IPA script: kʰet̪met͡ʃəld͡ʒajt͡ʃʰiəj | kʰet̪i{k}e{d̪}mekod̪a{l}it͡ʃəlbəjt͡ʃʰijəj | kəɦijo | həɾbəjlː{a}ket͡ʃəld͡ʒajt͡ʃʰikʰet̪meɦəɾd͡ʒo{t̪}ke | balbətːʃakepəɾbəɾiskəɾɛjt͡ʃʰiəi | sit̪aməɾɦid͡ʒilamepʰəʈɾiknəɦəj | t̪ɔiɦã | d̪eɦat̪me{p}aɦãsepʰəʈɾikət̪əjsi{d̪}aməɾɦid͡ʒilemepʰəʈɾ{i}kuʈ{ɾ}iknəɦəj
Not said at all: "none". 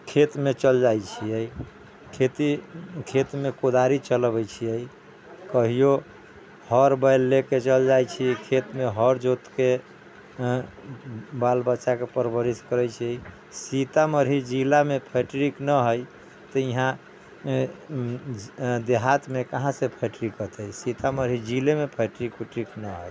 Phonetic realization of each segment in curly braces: kʰ, t̪, ɾ, e, t̪, k, t̪, i, ɾ

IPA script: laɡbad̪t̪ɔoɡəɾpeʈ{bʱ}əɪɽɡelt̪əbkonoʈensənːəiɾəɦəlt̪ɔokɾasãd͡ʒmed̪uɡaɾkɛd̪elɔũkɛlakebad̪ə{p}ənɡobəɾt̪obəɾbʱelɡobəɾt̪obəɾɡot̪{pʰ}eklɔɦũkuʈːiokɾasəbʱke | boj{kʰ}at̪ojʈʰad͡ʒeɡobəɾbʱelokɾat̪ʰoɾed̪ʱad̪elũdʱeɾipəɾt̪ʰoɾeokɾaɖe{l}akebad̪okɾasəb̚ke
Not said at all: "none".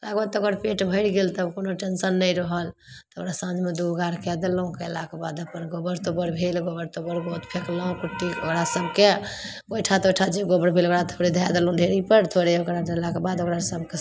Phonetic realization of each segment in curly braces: bʱ, p, pʰ, ʈʰ, l

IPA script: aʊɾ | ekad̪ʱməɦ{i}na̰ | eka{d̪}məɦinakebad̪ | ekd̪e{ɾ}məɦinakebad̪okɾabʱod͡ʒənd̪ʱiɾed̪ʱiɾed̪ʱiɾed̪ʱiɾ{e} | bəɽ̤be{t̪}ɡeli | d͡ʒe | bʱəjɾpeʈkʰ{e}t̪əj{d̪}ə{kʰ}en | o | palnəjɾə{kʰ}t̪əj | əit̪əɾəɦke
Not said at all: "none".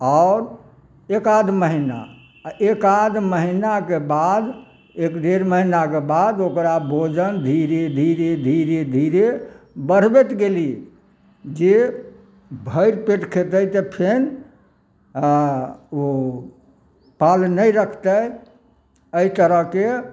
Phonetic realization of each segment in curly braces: i, d̪, ɾ, e, t̪, e, t̪, pʰ, kʰ

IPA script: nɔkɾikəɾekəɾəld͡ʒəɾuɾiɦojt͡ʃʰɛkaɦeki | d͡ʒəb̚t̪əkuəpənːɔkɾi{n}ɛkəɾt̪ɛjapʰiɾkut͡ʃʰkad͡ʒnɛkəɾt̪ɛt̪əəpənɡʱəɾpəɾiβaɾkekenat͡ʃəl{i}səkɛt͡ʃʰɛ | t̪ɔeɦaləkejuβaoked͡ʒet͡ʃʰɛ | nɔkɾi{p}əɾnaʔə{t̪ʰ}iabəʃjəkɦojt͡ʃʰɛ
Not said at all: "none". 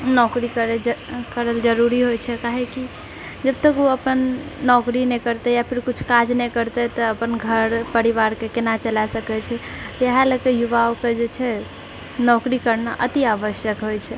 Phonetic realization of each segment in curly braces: n, a, k, t̪

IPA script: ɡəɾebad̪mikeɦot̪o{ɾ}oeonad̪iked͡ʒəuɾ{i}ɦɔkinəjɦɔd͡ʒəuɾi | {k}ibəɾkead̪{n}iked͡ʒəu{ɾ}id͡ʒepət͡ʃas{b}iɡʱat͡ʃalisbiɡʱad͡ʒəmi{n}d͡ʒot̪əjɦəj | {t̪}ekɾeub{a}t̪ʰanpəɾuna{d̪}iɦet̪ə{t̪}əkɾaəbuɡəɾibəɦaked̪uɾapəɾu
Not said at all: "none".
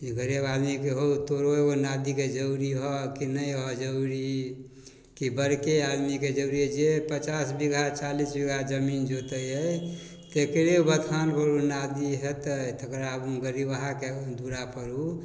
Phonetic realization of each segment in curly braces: ɾ, i, k, m, ɾ, b, n, t̪, ə, d̪, t̪

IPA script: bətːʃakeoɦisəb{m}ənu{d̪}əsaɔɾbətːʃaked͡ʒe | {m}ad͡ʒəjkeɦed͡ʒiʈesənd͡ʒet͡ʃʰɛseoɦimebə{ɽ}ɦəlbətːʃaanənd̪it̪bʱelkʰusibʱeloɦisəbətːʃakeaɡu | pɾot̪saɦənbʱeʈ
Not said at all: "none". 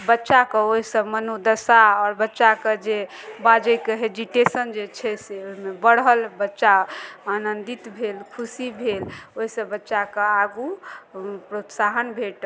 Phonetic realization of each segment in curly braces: m, d̪, b, ɽ

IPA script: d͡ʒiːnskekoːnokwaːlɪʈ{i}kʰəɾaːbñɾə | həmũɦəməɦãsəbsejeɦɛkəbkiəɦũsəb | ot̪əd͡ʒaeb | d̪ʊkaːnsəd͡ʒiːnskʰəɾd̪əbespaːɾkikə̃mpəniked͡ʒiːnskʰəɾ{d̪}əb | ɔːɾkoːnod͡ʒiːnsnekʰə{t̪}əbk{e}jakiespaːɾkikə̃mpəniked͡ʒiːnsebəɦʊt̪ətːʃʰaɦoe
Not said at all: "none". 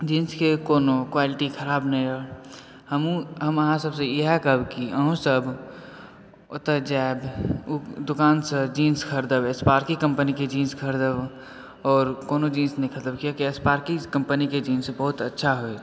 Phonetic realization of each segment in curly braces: i, d̪, t̪, i

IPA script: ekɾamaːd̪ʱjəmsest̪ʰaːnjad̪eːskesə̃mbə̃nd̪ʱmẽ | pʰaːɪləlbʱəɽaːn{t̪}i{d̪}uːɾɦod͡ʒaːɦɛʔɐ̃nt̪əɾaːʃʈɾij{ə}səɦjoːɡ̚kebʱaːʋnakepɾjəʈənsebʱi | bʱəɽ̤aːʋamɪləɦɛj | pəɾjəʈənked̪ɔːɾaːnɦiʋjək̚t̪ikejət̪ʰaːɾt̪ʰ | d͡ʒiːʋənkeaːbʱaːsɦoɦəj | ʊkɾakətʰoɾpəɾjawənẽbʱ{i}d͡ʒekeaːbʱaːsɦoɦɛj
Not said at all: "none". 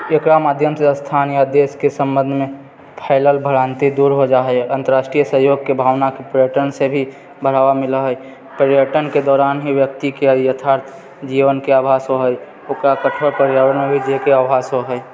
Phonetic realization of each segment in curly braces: t̪, d̪, ə, i

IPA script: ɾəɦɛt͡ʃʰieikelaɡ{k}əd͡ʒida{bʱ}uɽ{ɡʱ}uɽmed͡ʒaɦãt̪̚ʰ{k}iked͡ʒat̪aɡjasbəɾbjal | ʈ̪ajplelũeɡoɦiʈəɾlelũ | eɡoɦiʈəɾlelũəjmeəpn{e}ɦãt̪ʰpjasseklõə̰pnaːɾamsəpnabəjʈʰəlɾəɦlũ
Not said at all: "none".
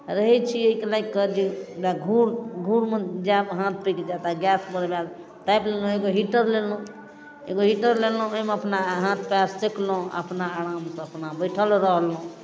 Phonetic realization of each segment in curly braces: k, ɡʱ, ɡʱ, p, a

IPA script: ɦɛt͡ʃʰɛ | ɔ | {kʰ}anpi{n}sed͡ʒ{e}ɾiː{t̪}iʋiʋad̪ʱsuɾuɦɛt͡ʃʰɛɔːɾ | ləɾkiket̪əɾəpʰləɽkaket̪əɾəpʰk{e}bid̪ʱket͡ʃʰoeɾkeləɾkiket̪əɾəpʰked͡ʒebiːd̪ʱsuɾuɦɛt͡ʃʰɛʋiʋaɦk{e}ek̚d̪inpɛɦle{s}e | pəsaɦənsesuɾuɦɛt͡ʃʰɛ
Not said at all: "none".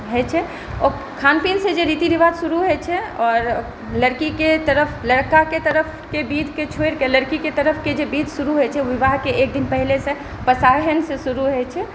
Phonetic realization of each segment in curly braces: kʰ, n, e, t̪, e, e, s

